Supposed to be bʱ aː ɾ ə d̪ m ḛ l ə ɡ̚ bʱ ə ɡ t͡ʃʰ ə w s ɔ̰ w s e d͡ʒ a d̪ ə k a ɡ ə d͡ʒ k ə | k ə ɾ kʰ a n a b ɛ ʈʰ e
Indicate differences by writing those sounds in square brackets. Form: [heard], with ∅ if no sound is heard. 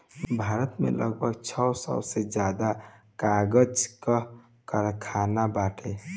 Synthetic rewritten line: bʱ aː ɾ ə [t̪] m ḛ l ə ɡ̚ bʱ ə ɡ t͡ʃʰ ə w s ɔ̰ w s e d͡ʒ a d̪ [a] k a ɡ ə d͡ʒ k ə | k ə ɾ kʰ a n a b [a] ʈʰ e